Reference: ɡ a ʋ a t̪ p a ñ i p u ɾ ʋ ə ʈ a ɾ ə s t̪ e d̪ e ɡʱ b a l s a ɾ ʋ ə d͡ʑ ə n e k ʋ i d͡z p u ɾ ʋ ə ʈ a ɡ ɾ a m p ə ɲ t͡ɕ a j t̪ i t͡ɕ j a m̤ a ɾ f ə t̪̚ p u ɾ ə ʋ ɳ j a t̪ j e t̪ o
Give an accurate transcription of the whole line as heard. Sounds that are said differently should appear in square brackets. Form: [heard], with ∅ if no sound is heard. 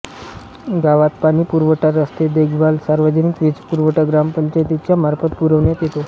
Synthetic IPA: ɡ a ʋ a t̪ p a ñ i p u ɾ ʋ ə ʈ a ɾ ə s t̪ e d̪ e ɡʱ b a l s a ɾ ʋ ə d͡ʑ ə n [i] k ʋ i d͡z p u ɾ ʋ ə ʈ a ɡ ɾ a m p ə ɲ t͡ɕ a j t̪ i t͡ɕ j a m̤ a ɾ f ə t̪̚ p u ɾ ə ʋ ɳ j a t̪ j e t̪ o